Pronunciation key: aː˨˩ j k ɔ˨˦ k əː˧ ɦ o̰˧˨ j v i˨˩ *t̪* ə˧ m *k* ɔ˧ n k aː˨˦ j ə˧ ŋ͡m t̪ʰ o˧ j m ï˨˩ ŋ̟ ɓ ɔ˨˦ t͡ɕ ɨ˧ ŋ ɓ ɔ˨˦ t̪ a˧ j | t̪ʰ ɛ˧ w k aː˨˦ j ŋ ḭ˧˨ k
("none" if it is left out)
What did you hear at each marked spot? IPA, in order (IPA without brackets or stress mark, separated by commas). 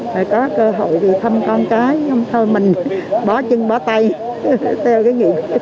t̪ʰ, k